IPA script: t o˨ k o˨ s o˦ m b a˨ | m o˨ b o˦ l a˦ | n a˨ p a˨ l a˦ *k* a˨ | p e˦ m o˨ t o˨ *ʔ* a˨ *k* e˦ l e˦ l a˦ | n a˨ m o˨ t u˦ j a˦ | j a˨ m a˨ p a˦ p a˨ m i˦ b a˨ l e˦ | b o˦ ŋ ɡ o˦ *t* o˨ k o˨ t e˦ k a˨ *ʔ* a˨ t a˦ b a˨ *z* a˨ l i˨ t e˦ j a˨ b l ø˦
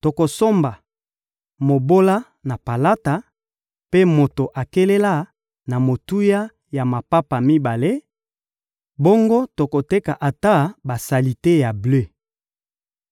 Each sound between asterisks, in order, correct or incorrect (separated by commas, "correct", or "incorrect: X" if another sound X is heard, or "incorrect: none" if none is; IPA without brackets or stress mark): incorrect: t, correct, correct, correct, correct, incorrect: s